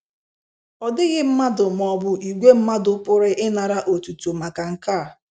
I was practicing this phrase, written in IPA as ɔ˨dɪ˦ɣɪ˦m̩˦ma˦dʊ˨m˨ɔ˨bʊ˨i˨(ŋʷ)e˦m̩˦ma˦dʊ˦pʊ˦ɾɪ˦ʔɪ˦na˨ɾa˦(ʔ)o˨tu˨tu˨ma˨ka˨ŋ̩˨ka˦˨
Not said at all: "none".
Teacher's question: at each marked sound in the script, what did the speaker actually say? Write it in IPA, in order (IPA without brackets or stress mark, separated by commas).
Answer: ɡʷ, ʔ